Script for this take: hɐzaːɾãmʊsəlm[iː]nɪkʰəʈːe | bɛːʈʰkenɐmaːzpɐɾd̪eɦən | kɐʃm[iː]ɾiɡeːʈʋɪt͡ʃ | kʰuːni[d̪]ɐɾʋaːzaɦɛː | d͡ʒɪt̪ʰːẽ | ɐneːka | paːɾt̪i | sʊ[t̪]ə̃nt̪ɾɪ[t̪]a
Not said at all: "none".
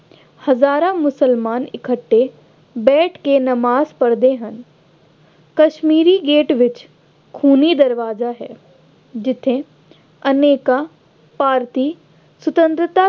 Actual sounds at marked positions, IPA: aː, iː, d̪, t̪, t̪

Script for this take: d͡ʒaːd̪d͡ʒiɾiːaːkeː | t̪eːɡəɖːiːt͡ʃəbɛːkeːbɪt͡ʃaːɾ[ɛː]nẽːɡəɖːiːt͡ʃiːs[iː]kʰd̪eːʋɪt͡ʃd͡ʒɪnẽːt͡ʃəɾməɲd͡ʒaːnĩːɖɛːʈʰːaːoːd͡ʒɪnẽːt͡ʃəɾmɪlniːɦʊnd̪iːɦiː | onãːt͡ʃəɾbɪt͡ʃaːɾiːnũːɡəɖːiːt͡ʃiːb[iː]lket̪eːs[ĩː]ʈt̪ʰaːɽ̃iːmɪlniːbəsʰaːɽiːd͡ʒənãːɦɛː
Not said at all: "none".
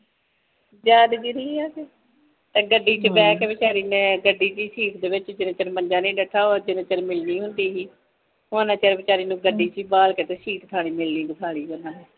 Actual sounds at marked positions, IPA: iː, iː, aː, iː

